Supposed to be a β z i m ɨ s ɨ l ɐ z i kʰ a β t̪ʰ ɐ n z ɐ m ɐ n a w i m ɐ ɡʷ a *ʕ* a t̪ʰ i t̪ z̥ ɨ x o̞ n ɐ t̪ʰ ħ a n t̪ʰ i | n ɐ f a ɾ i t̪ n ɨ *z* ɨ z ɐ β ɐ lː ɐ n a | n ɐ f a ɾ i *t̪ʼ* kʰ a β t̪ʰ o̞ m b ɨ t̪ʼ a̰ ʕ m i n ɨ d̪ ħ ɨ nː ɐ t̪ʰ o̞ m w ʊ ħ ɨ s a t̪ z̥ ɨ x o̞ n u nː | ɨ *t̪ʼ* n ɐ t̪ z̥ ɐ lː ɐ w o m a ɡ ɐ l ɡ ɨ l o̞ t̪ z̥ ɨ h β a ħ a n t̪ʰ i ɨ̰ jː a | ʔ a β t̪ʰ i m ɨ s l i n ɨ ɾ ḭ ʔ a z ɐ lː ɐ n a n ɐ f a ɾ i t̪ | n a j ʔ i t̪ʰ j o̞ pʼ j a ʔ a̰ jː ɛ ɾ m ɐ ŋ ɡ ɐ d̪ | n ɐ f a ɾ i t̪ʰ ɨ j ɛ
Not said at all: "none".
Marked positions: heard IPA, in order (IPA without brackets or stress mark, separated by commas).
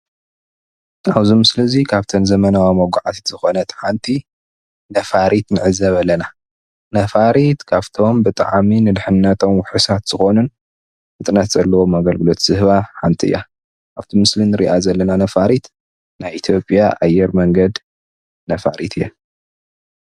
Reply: ʕ, ʕ, t̪, t̪ʼ